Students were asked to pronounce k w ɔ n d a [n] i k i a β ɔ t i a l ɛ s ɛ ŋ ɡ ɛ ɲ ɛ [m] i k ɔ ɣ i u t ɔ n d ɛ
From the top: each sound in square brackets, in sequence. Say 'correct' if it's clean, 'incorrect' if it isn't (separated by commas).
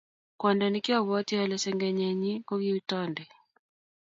correct, incorrect